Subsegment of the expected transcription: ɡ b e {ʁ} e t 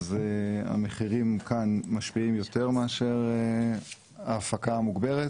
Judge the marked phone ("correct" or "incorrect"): correct